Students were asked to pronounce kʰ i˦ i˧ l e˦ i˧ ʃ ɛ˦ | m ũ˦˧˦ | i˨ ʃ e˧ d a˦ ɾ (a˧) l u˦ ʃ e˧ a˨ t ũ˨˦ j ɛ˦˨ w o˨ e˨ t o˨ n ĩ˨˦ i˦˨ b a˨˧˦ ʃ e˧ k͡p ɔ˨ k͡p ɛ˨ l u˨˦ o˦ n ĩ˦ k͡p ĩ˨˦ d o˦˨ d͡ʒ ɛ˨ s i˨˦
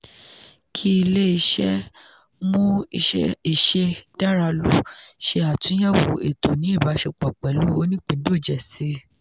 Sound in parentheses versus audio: correct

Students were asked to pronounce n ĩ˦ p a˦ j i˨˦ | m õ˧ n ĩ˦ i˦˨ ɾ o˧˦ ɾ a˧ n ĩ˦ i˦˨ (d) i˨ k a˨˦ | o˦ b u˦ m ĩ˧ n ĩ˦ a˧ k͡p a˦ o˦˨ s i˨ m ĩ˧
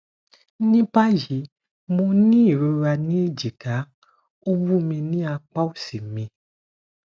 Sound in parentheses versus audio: incorrect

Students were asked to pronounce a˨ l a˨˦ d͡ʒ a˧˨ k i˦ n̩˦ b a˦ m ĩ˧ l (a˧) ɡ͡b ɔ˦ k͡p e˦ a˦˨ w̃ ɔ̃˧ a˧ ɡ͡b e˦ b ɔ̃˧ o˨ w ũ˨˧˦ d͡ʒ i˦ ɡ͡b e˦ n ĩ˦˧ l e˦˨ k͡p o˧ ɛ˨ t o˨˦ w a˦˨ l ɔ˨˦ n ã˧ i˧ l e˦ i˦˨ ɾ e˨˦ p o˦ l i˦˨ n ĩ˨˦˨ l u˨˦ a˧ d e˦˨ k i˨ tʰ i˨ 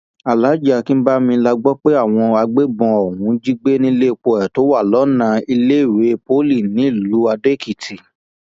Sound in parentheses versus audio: correct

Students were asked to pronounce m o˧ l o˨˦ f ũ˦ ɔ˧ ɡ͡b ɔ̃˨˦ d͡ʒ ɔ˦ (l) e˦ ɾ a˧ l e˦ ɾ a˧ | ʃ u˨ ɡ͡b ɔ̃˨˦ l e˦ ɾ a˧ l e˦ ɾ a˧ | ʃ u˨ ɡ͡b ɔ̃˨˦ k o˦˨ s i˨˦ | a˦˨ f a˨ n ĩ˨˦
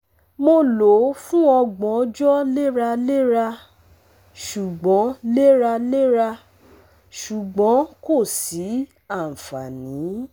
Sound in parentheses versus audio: correct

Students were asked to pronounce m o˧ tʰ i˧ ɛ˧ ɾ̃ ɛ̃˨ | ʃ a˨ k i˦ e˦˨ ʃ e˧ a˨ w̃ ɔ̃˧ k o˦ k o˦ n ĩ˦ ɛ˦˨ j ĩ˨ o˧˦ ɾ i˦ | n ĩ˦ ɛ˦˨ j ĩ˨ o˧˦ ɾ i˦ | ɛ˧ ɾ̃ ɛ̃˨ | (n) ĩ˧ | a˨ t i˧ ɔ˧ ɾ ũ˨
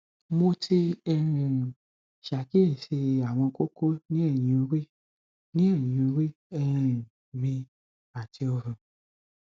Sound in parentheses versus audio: incorrect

